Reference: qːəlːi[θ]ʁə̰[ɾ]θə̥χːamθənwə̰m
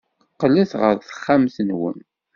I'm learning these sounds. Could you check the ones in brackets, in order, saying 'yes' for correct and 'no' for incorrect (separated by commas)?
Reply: yes, yes